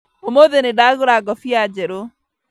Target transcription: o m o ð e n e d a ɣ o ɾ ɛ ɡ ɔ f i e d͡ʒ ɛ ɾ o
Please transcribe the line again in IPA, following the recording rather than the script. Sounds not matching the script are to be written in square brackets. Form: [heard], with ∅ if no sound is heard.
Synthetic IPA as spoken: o m o ð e n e d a ɣ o ɾ [a] ɡ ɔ f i [a] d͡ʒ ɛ ɾ o